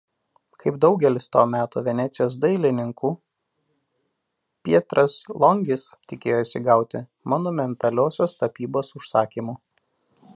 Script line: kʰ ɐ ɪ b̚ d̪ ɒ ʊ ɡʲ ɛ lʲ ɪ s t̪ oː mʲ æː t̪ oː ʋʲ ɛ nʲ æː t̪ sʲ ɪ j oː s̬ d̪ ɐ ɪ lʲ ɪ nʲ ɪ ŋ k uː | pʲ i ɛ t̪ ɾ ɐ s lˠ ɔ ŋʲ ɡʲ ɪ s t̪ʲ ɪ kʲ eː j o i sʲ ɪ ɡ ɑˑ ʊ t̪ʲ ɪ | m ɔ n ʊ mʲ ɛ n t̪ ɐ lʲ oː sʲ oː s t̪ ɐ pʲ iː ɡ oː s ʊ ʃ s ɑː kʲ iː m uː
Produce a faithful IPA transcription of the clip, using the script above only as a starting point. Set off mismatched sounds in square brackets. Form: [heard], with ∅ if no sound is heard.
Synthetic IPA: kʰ ɐ ɪ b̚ d̪ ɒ ʊ ɡʲ ɛ lʲ ɪ s t̪ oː mʲ æː t̪ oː ʋʲ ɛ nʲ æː t̪ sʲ ɪ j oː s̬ d̪ ɐ ɪ lʲ ɪ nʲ ɪ ŋ k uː | pʲ i ɛ t̪ ɾ ɐ s lˠ ɔ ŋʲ ɡʲ ɪ s t̪ʲ ɪ kʲ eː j o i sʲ ɪ ɡ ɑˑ ʊ t̪ʲ ɪ | m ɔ n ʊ mʲ ɛ n t̪ ɐ lʲ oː sʲ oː s t̪ ɐ pʲ iː [b] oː s ʊ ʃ s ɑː kʲ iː m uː

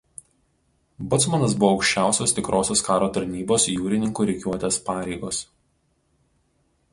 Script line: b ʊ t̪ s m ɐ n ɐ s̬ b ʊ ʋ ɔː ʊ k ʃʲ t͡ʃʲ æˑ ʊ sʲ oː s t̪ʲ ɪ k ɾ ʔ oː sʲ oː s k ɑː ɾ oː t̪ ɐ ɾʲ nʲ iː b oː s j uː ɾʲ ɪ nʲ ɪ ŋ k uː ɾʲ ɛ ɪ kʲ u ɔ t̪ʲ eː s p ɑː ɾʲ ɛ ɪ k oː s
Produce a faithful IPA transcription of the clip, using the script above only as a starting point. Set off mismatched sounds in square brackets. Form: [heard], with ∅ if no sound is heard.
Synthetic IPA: b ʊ t̪ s m ɐ n ɐ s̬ b ʊ ʋ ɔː ʊ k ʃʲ t͡ʃʲ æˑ ʊ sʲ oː s t̪ʲ ɪ k ɾ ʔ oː sʲ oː s k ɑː ɾ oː t̪ ɐ ɾʲ nʲ iː b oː s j uː ɾʲ ɪ nʲ ɪ ŋ k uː ɾʲ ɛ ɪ kʲ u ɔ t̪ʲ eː s p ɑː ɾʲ ɛ ɪ [ɡ] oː s

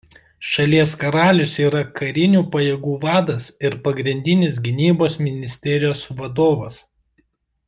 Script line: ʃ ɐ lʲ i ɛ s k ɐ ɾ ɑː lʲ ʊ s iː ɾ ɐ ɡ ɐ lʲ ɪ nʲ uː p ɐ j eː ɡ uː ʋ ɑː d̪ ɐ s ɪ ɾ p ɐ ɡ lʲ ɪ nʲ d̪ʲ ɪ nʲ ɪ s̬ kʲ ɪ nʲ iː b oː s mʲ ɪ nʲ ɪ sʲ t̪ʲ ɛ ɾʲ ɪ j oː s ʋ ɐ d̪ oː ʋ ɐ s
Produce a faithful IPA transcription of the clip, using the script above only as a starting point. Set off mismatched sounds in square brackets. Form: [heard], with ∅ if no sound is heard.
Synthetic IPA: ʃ ɐ lʲ i ɛ s k ɐ ɾ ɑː lʲ ʊ s iː ɾ ɐ [k] ɐ [ɾʲ] ɪ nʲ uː p ɐ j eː ɡ uː ʋ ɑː d̪ ɐ s ɪ ɾ p ɐ ɡ [ɾʲ] ɪ nʲ d̪ʲ ɪ nʲ ɪ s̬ [ɡʲ] ɪ nʲ iː b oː s mʲ ɪ nʲ ɪ sʲ t̪ʲ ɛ ɾʲ ɪ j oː s ʋ ɐ d̪ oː ʋ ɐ s

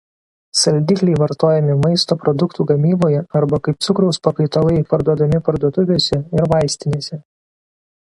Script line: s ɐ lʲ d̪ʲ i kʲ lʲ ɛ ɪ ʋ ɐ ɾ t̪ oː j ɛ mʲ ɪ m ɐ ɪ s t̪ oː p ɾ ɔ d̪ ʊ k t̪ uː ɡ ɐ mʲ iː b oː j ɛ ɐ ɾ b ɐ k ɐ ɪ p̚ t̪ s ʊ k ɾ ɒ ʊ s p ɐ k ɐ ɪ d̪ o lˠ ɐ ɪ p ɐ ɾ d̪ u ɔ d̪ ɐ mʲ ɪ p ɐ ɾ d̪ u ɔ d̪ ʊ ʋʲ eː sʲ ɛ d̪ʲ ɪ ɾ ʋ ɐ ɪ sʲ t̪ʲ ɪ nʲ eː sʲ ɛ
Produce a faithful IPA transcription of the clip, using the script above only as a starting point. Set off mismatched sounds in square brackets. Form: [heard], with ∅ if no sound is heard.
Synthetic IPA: s ɐ lʲ d̪ʲ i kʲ lʲ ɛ ɪ ʋ ɐ ɾ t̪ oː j ɛ mʲ ɪ m ɐ ɪ s t̪ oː p ɾ ɔ d̪ ʊ k t̪ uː ɡ ɐ mʲ iː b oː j ɛ ɐ ɾ b ɐ k ɐ ɪ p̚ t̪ s ʊ k ɾ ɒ ʊ s p ɐ k ɐ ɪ [t̪] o lˠ ɐ ɪ p ɐ ɾ d̪ u ɔ d̪ ɐ mʲ ɪ p ɐ ɾ d̪ u ɔ [t̪] ʊ ʋʲ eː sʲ ɛ [∅] ɪ ɾ ʋ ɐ ɪ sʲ t̪ʲ ɪ nʲ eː sʲ ɛ

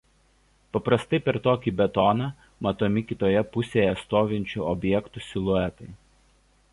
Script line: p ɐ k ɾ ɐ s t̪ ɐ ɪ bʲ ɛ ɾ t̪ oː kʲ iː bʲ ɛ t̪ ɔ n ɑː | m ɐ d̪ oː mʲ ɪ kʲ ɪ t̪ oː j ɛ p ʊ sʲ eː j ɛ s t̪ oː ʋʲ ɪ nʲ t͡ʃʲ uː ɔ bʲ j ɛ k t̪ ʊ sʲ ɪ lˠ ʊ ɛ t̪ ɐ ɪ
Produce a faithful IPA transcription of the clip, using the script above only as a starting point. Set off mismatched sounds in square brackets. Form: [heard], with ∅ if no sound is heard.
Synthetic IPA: p ɐ [p] ɾ ɐ s t̪ ɐ ɪ [pʲ] ɛ ɾ t̪ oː kʲ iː bʲ ɛ t̪ ɔ n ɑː | m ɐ [t̪] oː mʲ ɪ kʲ ɪ t̪ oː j ɛ p ʊ sʲ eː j ɛ s t̪ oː ʋʲ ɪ nʲ t͡ʃʲ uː ɔ bʲ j ɛ k t̪ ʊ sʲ ɪ lˠ ʊ ɛ t̪ ɐ ɪ

